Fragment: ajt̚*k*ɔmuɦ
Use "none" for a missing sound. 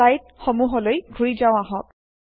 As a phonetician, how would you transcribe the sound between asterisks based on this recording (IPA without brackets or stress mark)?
x